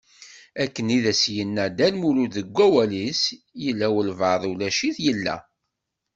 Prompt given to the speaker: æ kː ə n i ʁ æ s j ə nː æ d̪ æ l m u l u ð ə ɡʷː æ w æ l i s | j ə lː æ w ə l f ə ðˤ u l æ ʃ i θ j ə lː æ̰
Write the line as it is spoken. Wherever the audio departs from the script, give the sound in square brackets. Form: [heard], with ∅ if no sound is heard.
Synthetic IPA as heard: æ kː ə n i [ð] æ s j ə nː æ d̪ æ l m u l u ð ə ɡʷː æ w æ l i s | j ə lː æ w ə l [v] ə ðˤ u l æ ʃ i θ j ə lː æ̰